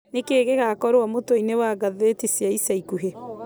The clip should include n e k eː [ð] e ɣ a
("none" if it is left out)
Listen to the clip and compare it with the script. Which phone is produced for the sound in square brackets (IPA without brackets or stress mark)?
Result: ɣ